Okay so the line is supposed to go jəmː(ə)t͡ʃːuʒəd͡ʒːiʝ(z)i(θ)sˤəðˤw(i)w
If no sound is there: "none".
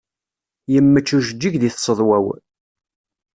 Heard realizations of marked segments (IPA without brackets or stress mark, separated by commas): ə, ð, θ, æ